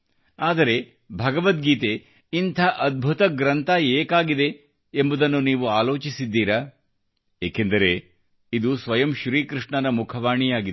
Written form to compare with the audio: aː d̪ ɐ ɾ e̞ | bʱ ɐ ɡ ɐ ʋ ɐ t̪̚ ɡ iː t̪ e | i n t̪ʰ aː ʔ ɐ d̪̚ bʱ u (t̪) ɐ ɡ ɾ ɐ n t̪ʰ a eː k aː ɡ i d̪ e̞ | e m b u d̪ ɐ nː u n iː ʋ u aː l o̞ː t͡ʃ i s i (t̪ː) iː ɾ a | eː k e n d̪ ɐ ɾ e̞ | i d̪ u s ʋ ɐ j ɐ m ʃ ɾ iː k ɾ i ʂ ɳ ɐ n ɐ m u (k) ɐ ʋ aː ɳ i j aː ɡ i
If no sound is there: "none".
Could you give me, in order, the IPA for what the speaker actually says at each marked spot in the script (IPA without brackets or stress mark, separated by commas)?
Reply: t̪, d̪ː, kʰ